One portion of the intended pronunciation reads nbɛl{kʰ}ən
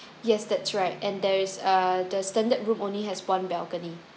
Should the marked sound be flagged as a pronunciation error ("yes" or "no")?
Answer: yes